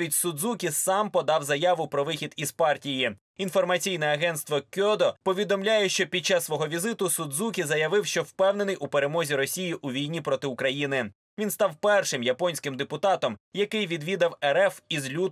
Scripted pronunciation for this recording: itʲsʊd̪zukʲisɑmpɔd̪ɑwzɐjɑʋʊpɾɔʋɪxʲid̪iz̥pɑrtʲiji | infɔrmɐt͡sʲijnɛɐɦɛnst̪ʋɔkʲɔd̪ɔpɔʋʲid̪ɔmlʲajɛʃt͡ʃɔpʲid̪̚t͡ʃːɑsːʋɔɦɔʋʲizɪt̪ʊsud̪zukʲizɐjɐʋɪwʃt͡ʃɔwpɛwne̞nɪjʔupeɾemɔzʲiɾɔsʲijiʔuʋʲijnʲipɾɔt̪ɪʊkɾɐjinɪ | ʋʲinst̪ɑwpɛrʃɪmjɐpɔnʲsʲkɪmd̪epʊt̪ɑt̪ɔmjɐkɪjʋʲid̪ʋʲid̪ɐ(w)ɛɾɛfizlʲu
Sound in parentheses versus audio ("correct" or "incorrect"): correct